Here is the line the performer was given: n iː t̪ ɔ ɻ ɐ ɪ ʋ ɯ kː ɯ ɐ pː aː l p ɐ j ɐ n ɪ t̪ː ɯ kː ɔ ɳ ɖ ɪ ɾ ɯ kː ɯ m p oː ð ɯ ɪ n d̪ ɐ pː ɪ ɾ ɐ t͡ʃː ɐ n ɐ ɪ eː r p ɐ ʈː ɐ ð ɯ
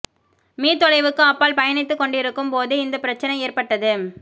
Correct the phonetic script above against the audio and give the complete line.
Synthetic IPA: m iː t̪ ɔ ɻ ɐ ɪ ʋ ɯ kː ɯ ɐ pː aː l p ɐ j ɐ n ɪ t̪ː ɯ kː ɔ ɳ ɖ ɪ ɾ ɯ kː ɯ m p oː ð ɯ ɪ n d̪ ɐ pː ɪ ɾ ɐ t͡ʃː ɐ n ɐ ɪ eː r p ɐ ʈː ɐ ð ɯ